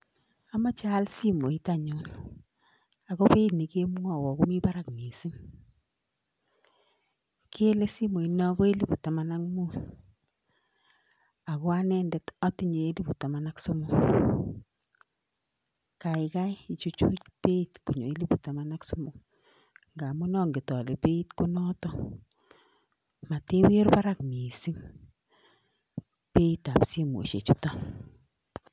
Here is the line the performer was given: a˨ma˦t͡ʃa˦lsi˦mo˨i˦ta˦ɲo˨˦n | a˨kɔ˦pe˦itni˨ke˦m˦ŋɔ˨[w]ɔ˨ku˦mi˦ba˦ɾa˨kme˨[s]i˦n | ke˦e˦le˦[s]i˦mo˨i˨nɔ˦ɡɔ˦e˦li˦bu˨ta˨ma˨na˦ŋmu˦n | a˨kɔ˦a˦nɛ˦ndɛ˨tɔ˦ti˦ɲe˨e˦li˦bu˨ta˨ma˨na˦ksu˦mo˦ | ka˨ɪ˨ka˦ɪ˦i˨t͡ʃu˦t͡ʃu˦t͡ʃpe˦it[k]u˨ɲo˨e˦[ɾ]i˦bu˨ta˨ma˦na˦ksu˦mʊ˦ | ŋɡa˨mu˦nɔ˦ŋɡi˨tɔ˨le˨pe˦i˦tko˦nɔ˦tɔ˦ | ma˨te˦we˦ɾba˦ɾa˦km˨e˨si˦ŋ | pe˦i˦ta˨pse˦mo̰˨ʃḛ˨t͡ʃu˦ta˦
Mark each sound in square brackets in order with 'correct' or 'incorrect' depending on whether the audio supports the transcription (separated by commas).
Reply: correct, correct, correct, correct, incorrect